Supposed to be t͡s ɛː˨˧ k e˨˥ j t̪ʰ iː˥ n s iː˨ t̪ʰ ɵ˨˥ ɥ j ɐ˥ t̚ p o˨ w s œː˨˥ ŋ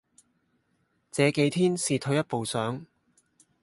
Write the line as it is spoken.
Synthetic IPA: t͡s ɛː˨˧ k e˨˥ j t̪ʰ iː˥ n s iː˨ t̪ʰ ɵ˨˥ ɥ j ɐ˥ t̚ p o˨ w s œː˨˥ ŋ